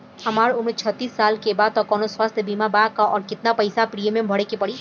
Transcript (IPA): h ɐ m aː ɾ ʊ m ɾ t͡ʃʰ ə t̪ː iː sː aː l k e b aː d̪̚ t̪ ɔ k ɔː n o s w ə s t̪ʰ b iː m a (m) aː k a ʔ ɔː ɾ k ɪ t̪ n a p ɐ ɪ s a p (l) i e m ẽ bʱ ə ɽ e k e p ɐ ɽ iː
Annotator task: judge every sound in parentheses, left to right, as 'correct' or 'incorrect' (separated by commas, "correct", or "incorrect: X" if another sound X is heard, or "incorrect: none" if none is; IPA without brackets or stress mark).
incorrect: b, incorrect: ɾ